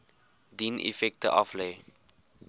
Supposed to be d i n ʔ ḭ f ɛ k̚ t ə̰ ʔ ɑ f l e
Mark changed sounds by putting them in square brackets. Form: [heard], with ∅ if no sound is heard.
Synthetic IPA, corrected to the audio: d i n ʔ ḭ f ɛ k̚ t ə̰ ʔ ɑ f l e